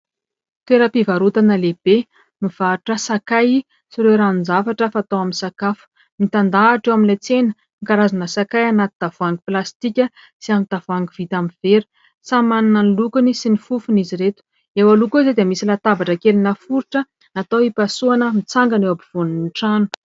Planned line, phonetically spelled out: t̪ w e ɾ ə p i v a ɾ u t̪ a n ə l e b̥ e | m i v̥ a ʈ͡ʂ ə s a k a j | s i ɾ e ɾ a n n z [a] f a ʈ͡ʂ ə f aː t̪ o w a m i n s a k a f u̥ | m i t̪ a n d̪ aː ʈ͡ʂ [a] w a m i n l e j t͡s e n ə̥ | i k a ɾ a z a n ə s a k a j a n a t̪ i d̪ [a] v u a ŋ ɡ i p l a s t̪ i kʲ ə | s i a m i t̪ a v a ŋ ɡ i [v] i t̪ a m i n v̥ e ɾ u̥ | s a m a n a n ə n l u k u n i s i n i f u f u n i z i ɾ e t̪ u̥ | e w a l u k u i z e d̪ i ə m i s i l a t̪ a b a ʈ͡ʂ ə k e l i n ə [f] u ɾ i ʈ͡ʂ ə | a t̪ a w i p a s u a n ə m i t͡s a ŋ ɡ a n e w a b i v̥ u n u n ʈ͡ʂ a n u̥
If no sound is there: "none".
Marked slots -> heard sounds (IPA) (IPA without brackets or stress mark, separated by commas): a, e, a, v, f